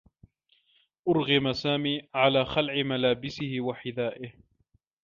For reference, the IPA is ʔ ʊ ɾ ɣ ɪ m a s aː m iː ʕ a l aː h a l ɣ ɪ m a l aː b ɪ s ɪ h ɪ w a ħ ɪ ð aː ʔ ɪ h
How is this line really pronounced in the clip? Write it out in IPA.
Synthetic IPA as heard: ʔ ʊ ɾ ɣ ɪ m a s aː m iː ʕ a l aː x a l ʕ ɪ m a l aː b ɪ s ɪ h ɪ w a ħ ɪ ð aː ʔ ɪ h